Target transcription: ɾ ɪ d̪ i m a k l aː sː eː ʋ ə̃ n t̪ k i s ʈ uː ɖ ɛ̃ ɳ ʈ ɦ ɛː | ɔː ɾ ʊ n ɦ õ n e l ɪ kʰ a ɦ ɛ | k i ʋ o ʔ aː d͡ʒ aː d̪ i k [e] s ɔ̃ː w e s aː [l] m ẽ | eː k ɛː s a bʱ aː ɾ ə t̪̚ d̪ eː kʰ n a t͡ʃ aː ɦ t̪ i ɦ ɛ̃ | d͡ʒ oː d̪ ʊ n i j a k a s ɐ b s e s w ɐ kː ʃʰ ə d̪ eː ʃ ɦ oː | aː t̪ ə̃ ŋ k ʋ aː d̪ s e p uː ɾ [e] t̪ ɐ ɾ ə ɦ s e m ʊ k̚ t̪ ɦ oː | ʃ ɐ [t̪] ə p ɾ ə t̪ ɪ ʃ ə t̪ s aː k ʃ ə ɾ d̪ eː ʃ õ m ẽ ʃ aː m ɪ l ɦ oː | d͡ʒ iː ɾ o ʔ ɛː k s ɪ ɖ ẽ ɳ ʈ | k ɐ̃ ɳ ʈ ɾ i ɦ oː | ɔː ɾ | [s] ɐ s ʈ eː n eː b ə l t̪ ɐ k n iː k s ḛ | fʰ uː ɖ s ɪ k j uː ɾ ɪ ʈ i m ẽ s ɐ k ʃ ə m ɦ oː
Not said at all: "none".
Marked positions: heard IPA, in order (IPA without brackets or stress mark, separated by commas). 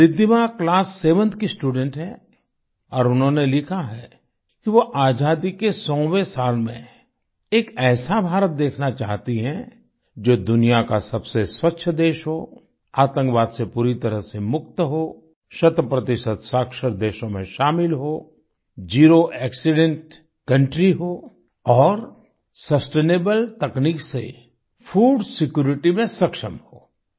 e, l, i, t̪, s